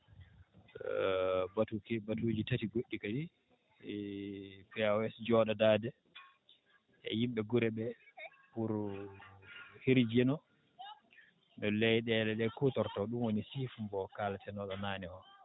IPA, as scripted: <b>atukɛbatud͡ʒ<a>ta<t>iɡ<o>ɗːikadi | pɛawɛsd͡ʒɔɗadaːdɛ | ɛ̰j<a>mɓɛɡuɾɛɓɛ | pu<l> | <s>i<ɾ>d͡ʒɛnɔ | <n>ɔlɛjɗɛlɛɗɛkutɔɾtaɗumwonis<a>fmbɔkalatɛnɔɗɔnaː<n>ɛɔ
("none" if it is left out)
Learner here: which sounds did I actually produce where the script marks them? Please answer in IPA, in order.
b, i, t, o, i, ɾ, h, ɾ, n, i, n

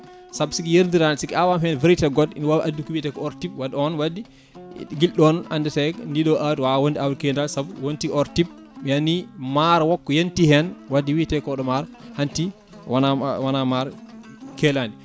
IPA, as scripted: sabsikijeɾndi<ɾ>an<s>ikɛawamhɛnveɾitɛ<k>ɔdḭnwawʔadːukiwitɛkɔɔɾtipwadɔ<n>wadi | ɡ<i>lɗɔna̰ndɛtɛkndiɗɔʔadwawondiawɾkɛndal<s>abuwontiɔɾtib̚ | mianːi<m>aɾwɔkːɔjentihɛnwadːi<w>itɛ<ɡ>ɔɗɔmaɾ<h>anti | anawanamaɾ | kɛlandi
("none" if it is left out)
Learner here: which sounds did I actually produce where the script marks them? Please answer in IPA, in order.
ɾ, s, ɡ, n, i, s, m, w, k, h

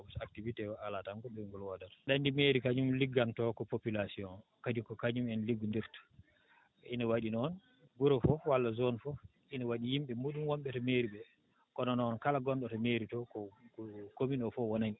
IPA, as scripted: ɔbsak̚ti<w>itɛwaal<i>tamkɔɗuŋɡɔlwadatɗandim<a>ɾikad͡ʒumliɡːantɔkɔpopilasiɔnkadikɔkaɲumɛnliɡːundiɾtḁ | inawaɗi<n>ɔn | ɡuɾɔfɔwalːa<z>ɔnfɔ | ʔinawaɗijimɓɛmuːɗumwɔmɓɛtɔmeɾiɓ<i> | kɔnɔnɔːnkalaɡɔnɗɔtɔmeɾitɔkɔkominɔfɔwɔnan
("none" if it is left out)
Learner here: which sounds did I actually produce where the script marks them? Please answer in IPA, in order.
v, a, e, n, z, ɛ

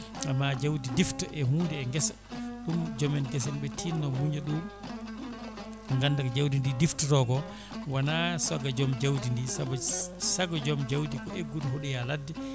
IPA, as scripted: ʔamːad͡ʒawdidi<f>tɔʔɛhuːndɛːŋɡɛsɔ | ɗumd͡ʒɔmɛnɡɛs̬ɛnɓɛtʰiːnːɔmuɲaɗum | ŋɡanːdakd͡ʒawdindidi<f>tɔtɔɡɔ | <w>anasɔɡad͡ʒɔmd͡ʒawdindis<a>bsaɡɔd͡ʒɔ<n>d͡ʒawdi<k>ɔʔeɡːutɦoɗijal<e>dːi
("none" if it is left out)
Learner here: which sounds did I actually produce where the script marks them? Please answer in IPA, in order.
f, f, w, a, m, k, a

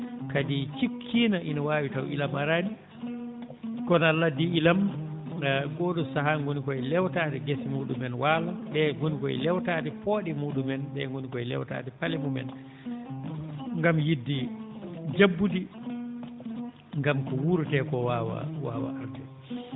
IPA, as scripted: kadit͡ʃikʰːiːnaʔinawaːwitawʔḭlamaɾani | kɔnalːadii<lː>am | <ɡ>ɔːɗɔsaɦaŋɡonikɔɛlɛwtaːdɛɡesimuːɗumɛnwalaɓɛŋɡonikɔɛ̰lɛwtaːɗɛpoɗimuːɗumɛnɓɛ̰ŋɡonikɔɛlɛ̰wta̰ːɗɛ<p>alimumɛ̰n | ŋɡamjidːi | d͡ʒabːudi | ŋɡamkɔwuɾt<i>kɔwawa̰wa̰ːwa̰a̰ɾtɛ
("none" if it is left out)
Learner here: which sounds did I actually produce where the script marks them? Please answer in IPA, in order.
l, ɡ, p, ɛ

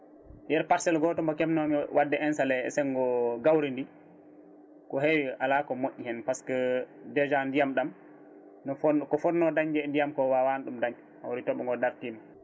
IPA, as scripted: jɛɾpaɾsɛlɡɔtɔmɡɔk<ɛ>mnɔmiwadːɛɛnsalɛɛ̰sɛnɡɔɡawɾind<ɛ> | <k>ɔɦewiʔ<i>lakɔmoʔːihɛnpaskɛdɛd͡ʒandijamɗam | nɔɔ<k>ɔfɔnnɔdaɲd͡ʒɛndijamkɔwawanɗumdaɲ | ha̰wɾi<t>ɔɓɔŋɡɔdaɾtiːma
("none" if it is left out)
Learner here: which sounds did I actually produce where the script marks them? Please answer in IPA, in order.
ɛ, i, k, a, k, t

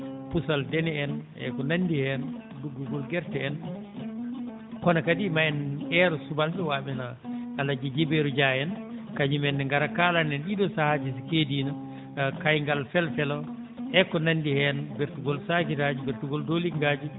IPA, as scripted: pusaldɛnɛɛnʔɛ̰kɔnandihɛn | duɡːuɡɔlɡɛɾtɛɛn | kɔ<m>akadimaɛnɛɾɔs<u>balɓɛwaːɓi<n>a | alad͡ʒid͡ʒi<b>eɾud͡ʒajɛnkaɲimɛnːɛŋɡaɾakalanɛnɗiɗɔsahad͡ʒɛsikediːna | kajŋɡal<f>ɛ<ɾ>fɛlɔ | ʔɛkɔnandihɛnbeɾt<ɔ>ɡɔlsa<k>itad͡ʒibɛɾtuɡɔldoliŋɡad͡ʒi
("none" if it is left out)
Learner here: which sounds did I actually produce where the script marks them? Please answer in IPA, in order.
n, u, n, b, f, l, u, k

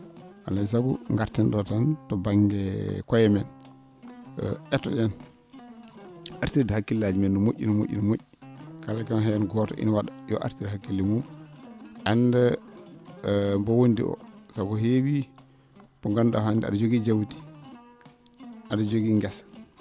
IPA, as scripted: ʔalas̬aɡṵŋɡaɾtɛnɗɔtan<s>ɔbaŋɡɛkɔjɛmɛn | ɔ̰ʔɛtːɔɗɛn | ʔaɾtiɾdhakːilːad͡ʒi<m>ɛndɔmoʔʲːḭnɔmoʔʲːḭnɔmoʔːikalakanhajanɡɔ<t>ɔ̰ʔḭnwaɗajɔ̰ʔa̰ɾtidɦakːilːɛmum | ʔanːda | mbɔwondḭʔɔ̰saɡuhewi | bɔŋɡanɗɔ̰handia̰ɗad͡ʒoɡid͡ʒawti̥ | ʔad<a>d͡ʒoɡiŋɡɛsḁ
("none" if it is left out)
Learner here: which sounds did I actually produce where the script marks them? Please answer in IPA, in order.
t, m, t, a

